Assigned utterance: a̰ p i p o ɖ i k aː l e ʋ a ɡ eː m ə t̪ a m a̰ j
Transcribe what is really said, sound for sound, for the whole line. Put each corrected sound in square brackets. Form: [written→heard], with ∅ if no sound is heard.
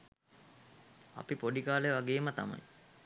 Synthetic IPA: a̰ p i p o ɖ i k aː l e ʋ a ɡ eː m ə t̪ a m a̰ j